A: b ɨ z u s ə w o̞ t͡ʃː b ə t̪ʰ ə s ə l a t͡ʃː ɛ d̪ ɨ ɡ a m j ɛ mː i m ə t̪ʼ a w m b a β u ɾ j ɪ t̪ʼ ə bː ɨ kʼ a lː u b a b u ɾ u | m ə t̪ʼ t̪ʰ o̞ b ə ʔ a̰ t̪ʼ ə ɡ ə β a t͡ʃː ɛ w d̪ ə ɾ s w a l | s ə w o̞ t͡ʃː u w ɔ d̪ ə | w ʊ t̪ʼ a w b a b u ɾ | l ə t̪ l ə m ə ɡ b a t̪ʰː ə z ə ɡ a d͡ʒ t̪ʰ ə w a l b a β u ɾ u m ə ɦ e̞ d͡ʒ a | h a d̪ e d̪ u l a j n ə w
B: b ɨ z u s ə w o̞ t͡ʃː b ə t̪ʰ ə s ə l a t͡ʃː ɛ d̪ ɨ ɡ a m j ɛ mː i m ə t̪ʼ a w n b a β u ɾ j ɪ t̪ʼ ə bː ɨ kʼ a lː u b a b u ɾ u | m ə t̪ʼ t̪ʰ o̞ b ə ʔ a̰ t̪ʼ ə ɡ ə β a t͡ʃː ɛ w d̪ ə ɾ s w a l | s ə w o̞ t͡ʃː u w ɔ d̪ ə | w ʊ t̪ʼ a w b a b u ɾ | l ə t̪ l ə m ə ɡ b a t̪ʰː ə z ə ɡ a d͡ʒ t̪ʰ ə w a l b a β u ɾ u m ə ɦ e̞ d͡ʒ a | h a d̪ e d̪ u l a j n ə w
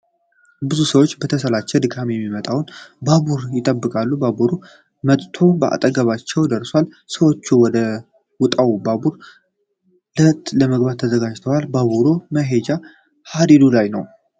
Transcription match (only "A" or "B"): B